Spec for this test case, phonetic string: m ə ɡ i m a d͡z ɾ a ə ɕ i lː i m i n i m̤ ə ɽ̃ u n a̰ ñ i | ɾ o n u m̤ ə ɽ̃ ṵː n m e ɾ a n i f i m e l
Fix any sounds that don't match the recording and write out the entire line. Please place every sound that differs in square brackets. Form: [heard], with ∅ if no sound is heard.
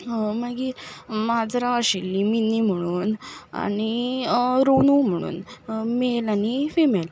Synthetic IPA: m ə ɡ i m a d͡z ɾ a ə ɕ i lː i m i n i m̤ ə ɽ̃ [uː] n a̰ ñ i | ɾ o n u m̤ ə ɽ̃ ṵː n m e [l] a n i f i m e l